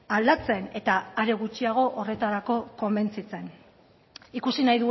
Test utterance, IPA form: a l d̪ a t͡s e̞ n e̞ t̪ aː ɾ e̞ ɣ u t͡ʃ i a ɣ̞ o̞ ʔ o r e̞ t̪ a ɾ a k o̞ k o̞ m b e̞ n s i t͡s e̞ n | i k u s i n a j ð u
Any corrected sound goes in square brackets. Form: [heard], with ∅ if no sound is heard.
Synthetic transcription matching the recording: a l d̪ a t͡s e̞ n e̞ t̪ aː ɾ e̞ ɣ u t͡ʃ i a ɣ̞ o̞ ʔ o r e̞ t̪ a ɾ a k o̞ k o̞ m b e̞ n [t͡s] i t͡s e̞ n | i k u s i n a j ð u